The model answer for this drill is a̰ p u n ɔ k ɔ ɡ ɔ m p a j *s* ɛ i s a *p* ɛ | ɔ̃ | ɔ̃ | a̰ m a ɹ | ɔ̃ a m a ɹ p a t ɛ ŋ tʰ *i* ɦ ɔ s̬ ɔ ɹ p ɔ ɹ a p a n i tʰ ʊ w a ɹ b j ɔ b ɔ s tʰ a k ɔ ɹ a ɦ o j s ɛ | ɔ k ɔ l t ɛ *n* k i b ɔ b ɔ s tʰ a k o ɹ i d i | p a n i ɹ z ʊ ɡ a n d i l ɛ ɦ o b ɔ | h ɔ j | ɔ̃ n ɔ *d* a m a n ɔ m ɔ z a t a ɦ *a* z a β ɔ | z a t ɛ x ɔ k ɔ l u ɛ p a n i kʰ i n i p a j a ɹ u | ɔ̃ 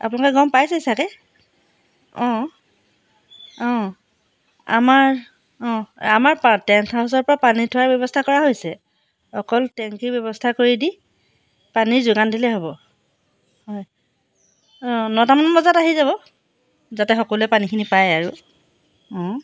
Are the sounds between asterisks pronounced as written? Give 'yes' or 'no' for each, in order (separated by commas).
yes, no, no, no, no, no